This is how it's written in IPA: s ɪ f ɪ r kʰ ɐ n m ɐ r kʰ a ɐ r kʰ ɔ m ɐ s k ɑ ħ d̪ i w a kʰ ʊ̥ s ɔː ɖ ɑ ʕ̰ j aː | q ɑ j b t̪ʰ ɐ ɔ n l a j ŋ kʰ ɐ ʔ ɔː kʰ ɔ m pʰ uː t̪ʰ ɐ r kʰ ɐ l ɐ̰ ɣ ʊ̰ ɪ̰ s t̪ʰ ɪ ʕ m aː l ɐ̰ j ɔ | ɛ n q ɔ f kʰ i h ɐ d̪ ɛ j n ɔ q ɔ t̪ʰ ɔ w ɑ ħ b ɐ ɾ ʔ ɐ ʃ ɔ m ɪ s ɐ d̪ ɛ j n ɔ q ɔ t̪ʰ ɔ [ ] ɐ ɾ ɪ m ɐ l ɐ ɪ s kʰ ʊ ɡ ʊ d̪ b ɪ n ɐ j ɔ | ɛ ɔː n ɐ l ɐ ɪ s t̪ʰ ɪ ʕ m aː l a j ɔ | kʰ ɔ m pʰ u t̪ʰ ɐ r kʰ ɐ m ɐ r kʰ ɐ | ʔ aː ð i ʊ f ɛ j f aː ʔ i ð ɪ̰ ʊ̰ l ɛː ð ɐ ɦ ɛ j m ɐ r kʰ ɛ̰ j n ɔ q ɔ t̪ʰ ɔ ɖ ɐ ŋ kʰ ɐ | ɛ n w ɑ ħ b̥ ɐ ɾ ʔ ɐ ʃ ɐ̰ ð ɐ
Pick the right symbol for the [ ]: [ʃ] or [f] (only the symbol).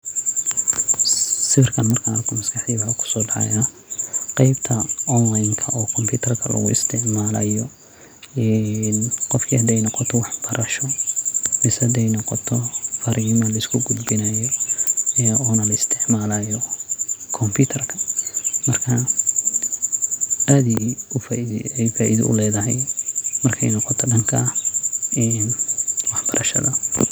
f